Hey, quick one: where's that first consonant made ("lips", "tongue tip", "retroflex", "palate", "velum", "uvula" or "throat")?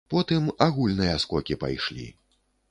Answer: lips